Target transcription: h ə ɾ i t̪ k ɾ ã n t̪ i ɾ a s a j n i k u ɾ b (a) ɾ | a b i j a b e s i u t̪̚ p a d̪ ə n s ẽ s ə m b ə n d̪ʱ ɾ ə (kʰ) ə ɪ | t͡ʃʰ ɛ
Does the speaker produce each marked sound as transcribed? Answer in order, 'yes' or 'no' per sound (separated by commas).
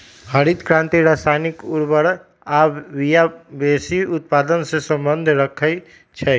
no, yes